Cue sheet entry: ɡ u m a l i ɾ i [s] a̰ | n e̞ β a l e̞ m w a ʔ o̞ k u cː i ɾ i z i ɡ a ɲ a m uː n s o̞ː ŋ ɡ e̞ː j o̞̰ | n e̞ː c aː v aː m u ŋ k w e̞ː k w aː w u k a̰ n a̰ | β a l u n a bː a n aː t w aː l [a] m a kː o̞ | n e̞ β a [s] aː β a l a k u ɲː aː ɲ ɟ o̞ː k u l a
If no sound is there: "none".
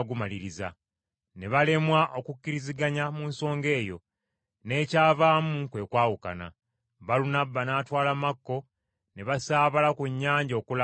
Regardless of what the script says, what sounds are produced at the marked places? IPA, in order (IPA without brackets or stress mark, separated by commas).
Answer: z, a, s